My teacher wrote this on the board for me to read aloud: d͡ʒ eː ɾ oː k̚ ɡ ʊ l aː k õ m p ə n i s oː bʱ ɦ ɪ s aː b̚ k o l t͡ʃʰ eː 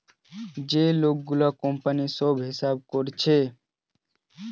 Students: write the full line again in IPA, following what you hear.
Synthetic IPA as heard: d͡ʒ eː l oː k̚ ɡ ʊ l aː k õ m p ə n i s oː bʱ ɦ ɪ s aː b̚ k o ɾ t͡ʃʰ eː